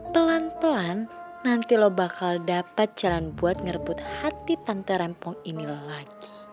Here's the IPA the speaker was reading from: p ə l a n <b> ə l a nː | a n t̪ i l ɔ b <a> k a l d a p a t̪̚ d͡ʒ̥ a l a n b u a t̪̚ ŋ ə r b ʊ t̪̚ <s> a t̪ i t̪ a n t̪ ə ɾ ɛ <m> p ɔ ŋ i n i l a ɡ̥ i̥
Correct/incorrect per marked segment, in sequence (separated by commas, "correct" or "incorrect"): incorrect, correct, incorrect, correct